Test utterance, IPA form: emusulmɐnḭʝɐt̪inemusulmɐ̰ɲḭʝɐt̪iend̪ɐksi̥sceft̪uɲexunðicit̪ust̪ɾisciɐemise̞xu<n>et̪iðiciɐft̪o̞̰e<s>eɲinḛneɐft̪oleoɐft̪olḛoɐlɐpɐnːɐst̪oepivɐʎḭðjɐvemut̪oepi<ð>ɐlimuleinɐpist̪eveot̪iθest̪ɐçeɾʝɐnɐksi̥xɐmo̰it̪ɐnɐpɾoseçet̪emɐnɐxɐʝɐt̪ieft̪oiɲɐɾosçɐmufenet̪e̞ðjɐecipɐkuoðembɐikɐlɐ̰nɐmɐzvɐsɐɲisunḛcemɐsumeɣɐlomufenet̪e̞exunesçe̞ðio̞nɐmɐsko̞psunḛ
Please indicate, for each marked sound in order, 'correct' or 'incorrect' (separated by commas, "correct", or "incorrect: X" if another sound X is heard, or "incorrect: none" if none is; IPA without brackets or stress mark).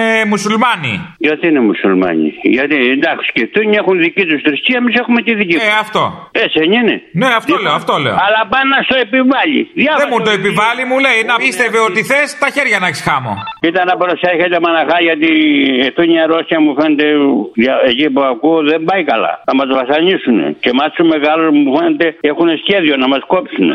incorrect: m, correct, incorrect: v